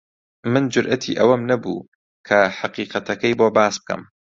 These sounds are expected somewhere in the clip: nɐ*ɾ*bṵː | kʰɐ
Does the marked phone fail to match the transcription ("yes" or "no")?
yes